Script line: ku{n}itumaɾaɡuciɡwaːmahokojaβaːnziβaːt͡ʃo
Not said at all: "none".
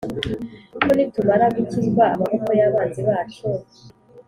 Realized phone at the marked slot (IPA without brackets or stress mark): n